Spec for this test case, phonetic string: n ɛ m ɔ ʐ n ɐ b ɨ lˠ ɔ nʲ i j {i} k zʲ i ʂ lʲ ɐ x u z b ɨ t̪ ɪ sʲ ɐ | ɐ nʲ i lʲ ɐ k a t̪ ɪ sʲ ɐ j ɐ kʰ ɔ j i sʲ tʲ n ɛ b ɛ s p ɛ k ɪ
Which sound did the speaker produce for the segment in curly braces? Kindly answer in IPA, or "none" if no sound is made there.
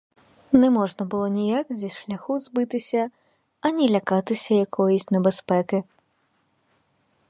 a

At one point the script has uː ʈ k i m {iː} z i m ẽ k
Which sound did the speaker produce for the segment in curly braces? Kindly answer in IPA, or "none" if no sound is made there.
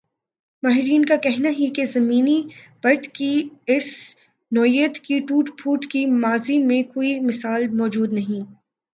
aː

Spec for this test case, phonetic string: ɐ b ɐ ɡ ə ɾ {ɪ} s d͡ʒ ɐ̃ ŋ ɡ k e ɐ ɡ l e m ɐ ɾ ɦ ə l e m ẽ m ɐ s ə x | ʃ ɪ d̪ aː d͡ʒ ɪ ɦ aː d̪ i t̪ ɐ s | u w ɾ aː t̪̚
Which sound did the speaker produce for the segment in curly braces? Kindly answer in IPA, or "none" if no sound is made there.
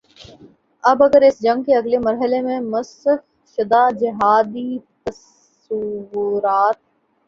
ɪ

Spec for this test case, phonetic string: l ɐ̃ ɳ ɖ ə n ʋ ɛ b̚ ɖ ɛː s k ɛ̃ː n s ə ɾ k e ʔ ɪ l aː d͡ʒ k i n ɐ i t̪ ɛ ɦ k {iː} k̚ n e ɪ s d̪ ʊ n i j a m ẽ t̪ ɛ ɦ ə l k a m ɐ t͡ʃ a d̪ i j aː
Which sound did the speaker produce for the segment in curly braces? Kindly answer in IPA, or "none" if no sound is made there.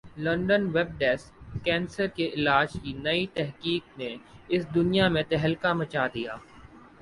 iː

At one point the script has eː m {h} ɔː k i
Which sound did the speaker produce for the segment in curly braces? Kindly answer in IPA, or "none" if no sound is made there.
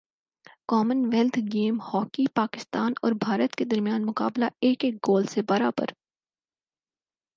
h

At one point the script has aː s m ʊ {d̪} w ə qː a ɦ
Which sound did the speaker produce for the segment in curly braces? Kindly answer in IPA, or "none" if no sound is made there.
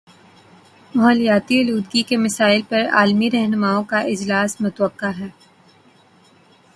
t̪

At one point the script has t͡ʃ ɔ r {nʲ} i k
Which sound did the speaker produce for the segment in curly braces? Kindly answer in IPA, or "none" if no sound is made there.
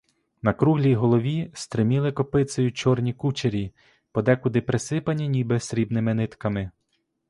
nʲ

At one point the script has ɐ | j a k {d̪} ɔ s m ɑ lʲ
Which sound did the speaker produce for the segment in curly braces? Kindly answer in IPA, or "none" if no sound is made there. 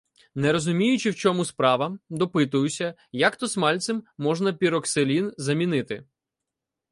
t̪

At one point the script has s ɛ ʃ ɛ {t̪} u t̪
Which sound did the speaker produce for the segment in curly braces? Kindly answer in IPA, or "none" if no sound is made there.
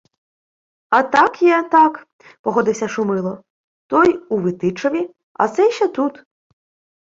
t̪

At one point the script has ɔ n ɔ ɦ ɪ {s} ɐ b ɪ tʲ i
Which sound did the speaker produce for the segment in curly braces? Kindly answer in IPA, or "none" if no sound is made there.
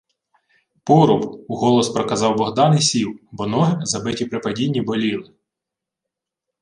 z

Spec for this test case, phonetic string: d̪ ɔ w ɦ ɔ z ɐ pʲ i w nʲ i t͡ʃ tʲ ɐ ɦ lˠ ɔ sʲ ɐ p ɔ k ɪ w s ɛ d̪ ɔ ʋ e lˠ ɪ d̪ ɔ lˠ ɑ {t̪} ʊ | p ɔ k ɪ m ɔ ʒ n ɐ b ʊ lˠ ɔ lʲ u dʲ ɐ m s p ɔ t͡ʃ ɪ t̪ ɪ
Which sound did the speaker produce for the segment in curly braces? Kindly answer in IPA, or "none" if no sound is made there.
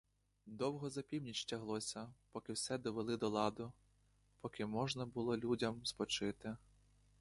d̪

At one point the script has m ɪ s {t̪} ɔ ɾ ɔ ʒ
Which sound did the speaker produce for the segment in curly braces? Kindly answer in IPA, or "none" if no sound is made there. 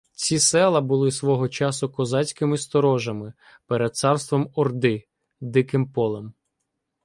t̪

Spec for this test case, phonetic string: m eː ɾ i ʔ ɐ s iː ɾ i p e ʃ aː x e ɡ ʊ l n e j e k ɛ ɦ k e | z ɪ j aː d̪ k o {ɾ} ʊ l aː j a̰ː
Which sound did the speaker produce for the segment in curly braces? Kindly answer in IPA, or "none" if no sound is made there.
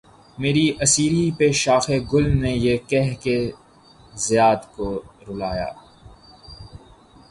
ɾ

